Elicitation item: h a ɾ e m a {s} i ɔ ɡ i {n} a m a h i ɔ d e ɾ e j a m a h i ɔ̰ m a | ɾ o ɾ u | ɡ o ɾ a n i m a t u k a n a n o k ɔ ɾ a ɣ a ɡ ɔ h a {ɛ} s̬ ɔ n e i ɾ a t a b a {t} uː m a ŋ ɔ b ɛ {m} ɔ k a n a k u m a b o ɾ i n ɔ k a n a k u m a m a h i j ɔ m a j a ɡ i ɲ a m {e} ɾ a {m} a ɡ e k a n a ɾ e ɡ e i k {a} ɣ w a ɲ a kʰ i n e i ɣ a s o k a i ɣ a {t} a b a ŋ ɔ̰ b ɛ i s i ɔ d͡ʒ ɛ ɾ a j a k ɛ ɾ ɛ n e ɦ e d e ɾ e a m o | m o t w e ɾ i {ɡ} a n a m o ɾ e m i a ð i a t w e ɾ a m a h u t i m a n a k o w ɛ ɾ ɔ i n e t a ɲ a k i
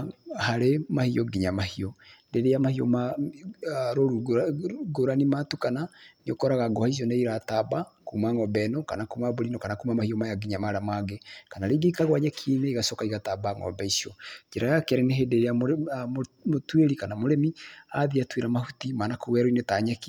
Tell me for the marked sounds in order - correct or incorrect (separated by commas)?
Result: incorrect, incorrect, incorrect, incorrect, incorrect, incorrect, correct, correct, correct, incorrect